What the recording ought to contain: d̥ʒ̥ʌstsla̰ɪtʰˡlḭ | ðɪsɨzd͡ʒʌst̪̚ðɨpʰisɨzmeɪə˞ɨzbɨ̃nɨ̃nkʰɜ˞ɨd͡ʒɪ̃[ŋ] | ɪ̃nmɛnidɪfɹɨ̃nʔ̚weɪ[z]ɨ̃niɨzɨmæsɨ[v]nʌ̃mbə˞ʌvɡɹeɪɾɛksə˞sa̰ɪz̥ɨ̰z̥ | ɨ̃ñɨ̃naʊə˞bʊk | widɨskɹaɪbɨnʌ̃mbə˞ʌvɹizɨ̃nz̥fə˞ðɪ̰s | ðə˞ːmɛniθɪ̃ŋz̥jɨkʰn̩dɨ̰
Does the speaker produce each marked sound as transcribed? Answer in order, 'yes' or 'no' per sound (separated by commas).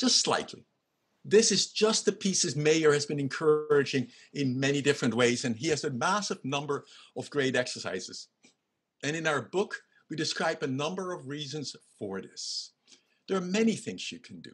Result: yes, yes, yes